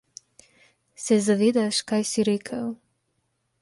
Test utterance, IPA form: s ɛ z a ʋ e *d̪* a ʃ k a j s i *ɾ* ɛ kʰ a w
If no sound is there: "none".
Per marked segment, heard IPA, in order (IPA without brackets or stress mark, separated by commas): d̪, ɾ